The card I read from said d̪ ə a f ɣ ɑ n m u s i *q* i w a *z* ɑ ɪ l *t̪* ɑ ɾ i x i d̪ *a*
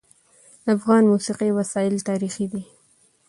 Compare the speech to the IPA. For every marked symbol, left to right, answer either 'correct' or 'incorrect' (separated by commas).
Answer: correct, incorrect, correct, incorrect